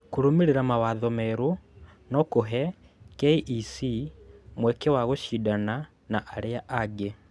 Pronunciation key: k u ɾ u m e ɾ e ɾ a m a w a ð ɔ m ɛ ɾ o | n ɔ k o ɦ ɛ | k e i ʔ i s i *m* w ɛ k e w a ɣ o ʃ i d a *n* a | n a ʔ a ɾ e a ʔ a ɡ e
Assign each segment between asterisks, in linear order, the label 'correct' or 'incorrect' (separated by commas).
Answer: correct, correct